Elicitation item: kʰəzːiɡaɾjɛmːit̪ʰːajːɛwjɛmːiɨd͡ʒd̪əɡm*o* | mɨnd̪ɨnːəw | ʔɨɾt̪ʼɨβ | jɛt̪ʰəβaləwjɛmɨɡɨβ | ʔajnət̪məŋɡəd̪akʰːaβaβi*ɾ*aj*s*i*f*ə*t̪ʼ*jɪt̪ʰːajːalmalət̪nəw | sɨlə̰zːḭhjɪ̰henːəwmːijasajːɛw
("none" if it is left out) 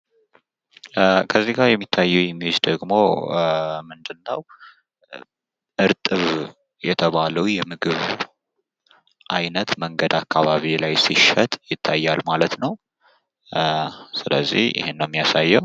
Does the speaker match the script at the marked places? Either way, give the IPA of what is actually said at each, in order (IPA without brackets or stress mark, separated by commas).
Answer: o, l, s, ʃ, t̪ʼ